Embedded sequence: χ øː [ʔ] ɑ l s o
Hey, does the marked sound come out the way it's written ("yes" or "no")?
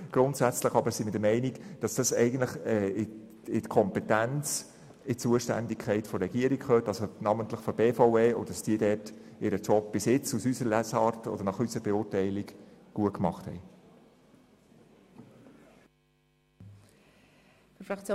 no